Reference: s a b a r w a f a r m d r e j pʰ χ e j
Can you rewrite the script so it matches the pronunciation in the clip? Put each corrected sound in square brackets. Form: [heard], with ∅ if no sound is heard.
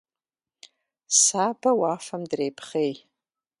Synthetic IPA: s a b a [∅] w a f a [∅] m d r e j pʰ χ e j

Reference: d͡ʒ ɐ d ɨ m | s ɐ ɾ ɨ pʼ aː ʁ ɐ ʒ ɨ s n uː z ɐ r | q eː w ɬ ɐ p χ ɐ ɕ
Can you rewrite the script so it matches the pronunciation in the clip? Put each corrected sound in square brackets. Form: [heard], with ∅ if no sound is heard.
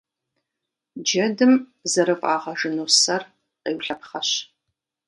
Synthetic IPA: d͡ʒ ɐ d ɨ m | [z] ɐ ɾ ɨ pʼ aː ʁ ɐ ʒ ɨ [∅] n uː [s] ɐ r | q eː w ɬ ɐ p χ ɐ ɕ

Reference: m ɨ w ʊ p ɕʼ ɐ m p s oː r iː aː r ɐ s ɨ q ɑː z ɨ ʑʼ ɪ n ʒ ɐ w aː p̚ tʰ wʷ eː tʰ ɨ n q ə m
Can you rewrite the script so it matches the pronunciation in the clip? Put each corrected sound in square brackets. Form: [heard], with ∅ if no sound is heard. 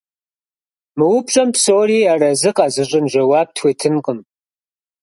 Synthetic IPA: m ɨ w ʊ p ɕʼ ɐ m p s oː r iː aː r ɐ [z] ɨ q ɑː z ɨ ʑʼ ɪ n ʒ ɐ w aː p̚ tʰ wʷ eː tʰ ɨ n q ə m

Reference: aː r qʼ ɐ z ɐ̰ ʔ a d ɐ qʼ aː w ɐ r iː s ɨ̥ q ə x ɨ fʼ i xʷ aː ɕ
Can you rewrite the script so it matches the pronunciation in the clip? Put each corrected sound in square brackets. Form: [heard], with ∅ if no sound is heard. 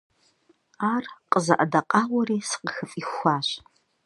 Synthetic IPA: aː r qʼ [ə] z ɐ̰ ʔ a d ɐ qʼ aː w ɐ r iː s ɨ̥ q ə x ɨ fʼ i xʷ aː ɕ

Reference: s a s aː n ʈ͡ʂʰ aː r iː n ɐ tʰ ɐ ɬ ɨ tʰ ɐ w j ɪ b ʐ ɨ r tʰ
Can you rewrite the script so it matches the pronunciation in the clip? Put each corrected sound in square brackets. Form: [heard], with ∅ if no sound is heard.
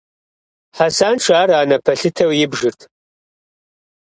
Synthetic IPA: [ħ] a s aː n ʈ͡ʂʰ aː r [aː] n ɐ [pʰ] ɐ ɬ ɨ tʰ ɐ w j ɪ b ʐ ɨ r tʰ

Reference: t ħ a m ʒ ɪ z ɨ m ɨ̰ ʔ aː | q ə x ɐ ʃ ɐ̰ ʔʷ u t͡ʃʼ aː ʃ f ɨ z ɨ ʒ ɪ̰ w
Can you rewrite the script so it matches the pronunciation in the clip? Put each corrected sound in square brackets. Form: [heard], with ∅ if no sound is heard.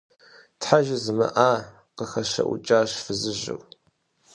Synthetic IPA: t ħ a [∅] ʒ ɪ z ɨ m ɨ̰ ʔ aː | q ə x ɐ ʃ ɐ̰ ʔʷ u t͡ʃʼ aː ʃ f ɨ z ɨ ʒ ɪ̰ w

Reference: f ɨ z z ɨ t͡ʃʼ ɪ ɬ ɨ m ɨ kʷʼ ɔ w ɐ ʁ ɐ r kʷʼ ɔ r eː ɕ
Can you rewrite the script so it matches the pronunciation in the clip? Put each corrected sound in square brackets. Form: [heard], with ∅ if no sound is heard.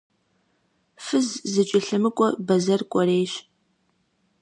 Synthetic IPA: f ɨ z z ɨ t͡ʃʼ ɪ ɬ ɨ m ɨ kʷʼ ɔ [b] ɐ [z] ɐ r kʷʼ ɔ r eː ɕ

